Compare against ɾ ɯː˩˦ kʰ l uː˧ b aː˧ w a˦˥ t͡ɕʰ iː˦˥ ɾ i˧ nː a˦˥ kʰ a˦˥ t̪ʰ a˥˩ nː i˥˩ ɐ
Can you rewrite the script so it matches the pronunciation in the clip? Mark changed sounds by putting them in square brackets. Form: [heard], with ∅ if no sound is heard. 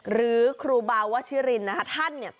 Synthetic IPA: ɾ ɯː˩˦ kʰ [ɾ] uː˧ b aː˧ w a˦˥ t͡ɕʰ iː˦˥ ɾ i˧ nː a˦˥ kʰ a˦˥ t̪ʰ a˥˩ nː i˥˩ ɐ